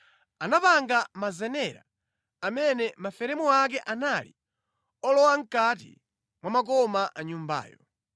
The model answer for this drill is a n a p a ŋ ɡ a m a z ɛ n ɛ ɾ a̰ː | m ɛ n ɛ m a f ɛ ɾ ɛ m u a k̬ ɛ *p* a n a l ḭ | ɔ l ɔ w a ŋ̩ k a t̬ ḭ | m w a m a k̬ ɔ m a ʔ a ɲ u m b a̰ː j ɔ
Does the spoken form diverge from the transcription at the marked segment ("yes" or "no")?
yes